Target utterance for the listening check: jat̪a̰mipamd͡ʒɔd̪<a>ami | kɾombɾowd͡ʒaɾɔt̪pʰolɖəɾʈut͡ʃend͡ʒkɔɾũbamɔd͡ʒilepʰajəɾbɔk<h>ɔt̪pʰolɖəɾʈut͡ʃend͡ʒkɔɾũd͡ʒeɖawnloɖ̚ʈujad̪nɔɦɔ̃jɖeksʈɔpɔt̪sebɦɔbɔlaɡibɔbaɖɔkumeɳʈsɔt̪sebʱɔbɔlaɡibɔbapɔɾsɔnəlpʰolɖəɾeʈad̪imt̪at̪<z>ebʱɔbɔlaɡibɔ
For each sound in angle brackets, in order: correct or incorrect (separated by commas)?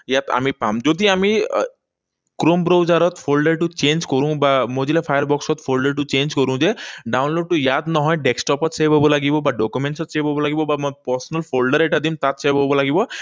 incorrect, incorrect, incorrect